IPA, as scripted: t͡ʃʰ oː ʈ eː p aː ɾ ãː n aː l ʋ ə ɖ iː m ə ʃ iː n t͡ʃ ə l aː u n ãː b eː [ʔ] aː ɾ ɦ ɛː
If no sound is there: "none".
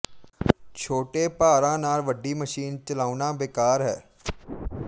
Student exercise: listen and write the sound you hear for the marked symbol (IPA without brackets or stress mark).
k